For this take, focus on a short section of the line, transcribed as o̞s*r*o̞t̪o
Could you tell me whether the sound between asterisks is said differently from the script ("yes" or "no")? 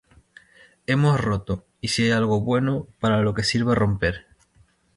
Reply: no